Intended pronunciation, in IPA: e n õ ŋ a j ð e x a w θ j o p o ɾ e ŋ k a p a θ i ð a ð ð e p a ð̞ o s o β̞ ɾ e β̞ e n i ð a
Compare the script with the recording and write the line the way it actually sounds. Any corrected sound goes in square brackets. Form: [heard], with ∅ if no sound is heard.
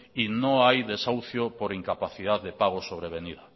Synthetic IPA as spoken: [i] n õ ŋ a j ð e [s] a w θ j o p o ɾ [i] ŋ k a p a θ i ð a ð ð e p a [ɣ̞] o s o β̞ ɾ e β̞ e n i ð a

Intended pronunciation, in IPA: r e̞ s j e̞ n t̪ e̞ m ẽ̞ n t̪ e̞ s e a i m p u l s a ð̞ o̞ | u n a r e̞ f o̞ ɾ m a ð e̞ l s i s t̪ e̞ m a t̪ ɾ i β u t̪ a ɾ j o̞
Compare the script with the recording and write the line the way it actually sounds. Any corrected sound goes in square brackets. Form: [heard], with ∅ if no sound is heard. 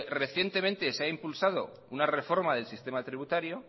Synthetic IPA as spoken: r e̞ [θ] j e̞ n t̪ e̞ m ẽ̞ n t̪ e̞ s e a i m p u l s a ð̞ o̞ | u n a r e̞ f o̞ ɾ m a ð e̞ l s i s t̪ e̞ m a t̪ ɾ i β u t̪ a ɾ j o̞

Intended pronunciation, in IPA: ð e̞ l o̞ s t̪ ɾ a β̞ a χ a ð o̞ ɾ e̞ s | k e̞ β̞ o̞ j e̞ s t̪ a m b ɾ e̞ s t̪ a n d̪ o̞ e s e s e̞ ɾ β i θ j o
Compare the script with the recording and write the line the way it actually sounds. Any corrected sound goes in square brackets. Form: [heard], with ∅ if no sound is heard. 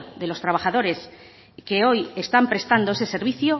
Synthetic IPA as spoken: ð e̞ l o̞ s t̪ ɾ a β̞ a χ a ð o̞ ɾ e̞ s | k e̞ [∅] o̞ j e̞ s t̪ a m [p] ɾ e̞ s t̪ a n d̪ o̞ e s e s e̞ ɾ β i θ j o

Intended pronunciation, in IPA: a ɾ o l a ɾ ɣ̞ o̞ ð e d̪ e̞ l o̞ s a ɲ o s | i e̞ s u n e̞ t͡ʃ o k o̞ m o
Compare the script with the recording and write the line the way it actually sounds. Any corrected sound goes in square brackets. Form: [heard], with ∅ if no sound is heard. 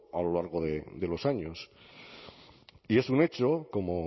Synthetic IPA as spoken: a [l] o l a ɾ ɣ̞ o̞ ð e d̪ e̞ l o̞ s a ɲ o s | i e̞ s u n e̞ t͡ʃ o k o̞ m o

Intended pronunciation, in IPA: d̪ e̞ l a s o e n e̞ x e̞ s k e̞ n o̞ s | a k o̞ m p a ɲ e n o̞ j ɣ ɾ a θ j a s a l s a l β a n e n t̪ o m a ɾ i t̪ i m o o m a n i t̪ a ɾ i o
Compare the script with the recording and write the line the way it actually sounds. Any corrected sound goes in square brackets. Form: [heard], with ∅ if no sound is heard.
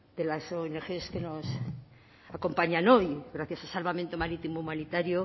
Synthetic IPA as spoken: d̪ e̞ l a s o e n e̞ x e̞ s k e̞ n o̞ s | a k o̞ m p a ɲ [a] n o̞ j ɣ ɾ a θ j a s a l s a l β a [m] e n t̪ o m a ɾ i t̪ i m o [u] m a n i t̪ a ɾ [j] o

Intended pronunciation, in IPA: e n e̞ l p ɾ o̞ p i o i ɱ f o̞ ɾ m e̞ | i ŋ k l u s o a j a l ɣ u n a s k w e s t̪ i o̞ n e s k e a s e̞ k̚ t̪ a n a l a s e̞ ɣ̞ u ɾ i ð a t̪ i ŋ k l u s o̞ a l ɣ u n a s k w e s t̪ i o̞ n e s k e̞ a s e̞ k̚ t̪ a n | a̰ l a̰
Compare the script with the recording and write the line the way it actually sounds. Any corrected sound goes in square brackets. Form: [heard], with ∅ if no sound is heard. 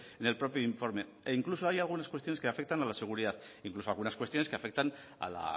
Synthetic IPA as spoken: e n e̞ l p ɾ o̞ p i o i ɱ f o̞ ɾ m e̞ | i ŋ k l u s o a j a l ɣ u n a s k w e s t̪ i o̞ n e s k e a [f] e̞ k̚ t̪ a n a l a s e̞ ɣ̞ u ɾ i ð a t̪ i ŋ k l u s o̞ a l ɣ u n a s k w e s t̪ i o̞ n e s k e̞ a [f] e̞ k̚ t̪ a n | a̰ l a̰

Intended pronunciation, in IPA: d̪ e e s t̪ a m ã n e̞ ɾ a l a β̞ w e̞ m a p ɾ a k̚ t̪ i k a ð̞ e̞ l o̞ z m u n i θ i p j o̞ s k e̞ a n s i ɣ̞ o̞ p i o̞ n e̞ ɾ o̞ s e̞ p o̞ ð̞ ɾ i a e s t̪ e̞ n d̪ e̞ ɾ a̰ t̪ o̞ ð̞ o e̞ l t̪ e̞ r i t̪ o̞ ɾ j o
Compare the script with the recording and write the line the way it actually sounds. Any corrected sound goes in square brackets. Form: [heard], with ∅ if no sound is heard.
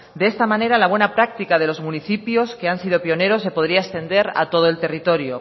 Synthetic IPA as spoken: d̪ e e s t̪ a m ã n e̞ ɾ a l a β̞ w e̞ [n] a p ɾ a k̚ t̪ i k a ð̞ e̞ l o̞ z m u n i θ i p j o̞ s k e̞ a n s i [ð̞] o̞ p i o̞ n e̞ ɾ o̞ s e̞ p o̞ ð̞ ɾ i a e s t̪ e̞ n d̪ e̞ ɾ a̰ t̪ o̞ ð̞ o e̞ l t̪ e̞ r i t̪ o̞ ɾ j o

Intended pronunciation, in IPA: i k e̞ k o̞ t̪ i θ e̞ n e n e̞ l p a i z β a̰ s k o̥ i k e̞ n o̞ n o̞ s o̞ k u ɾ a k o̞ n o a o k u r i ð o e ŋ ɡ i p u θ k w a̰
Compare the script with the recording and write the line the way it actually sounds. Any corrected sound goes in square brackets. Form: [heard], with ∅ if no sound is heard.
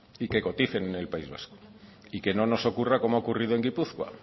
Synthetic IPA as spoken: i k e̞ k o̞ t̪ i θ e̞ n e n e̞ l p a i z β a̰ s k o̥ i k e̞ n o̞ n o̞ s o̞ k u [r] a k o̞ [m] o a o k u r i ð o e ŋ ɡ i p u θ k w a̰

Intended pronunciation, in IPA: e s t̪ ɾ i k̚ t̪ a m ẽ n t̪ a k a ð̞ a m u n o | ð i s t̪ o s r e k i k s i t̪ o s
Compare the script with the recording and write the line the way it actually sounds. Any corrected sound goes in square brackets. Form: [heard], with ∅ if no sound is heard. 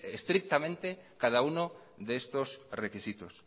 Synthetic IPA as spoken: e s t̪ ɾ i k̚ t̪ a m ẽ n t̪ [e] k a ð̞ a [∅] u n o | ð [e] s t̪ o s r e k i [∅] s i t̪ o s

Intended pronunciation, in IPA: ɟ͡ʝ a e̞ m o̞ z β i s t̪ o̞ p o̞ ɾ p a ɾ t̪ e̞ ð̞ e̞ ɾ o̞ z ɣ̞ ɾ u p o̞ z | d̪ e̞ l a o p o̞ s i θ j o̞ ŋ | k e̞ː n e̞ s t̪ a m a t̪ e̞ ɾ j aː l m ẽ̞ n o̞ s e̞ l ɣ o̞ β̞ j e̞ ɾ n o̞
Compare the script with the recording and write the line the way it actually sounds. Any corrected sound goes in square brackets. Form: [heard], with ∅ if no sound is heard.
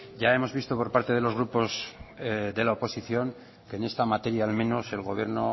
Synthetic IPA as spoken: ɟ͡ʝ a e̞ m o̞ z β i s t̪ o̞ p o̞ ɾ p a ɾ t̪ e̞ ð̞ e̞ [l] o̞ z ɣ̞ ɾ u p o̞ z | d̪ e̞ l a o p o̞ s i θ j o̞ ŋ | k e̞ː n e̞ s t̪ a m a t̪ e̞ ɾ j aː l m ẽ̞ n o̞ s e̞ l ɣ o̞ β̞ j e̞ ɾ n o̞

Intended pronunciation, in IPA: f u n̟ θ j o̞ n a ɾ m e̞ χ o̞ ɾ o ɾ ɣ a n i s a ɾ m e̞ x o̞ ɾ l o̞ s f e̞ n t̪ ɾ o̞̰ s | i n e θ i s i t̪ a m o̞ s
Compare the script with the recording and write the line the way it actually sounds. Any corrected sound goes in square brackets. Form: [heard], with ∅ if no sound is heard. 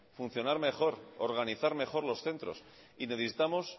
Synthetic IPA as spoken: f u n̟ θ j o̞ n a ɾ m e̞ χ o̞ ɾ o ɾ ɣ a n i [θ] a ɾ m e̞ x o̞ ɾ l o̞ s [θ] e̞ n t̪ ɾ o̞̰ s | i n e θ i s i t̪ a m o̞ s

